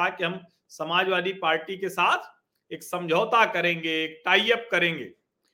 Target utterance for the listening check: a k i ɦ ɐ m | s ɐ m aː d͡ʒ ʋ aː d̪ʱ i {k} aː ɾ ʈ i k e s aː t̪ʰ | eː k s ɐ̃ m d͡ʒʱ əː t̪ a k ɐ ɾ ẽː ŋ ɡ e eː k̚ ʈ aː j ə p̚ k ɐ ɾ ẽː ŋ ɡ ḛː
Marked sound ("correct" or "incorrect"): incorrect